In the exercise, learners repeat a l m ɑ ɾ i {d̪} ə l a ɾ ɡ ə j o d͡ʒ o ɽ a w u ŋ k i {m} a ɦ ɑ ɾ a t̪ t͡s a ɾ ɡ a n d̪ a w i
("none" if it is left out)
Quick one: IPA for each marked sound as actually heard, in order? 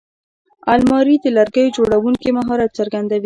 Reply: d̪, m

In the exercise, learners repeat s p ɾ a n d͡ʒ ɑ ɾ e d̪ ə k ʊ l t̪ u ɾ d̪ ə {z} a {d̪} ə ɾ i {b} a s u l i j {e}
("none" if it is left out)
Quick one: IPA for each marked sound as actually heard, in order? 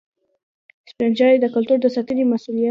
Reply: s, t̪, m, a

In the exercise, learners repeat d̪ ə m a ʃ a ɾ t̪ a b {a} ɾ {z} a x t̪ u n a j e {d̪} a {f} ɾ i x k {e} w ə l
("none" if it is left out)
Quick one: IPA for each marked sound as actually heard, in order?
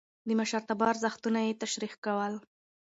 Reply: ɑ, z, t̪, ʃ, a

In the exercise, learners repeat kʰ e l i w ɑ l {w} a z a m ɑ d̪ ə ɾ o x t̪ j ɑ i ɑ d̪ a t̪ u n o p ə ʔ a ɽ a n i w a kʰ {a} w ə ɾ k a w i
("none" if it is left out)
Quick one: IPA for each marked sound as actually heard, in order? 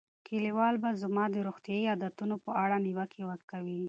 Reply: b, e

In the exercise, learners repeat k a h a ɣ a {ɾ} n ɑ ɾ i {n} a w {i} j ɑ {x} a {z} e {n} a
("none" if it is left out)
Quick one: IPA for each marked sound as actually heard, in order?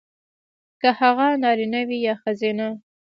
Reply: none, n, i, x, z, n

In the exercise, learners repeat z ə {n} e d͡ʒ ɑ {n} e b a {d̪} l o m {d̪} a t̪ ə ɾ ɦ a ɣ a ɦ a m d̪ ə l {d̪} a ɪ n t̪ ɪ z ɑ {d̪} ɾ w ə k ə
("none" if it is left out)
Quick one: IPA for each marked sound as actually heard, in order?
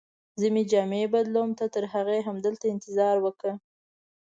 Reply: m, m, d̪, t̪, t̪, none

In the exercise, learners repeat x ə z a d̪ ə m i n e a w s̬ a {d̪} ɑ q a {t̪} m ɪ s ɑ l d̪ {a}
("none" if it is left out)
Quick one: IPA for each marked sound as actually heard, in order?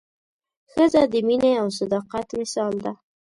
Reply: d̪, t̪, a

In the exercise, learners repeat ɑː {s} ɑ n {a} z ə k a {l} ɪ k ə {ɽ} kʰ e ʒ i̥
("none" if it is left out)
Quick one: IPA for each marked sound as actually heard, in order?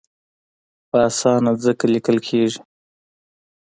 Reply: s, a, l, l

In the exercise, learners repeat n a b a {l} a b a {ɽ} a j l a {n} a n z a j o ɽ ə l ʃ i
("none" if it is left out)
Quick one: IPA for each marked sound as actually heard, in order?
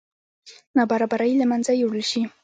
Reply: ɾ, ɾ, m

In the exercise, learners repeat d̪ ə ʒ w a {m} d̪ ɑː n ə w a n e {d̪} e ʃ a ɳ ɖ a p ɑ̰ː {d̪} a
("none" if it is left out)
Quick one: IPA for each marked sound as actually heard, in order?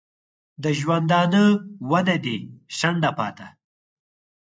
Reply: n, d̪, t̪

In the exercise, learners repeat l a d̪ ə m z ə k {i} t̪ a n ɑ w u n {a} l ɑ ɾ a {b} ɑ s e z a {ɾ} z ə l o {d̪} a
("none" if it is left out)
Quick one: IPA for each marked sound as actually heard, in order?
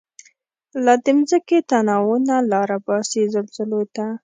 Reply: e, a, b, l, t̪

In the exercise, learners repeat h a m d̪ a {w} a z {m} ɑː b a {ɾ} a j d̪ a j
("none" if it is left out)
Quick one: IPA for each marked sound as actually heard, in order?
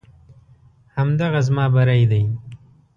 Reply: ɣ, m, ɾ

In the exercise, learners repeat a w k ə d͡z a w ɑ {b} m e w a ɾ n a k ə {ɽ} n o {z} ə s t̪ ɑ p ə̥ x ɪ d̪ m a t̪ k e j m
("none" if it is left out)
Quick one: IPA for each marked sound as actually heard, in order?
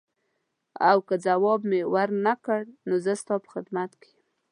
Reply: b, ɽ, z

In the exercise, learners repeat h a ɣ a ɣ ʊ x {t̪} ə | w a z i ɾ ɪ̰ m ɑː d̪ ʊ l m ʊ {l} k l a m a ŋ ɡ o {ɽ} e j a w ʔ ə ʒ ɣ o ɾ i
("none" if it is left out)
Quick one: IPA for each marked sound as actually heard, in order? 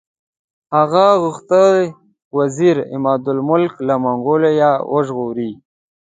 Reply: t̪, l, l

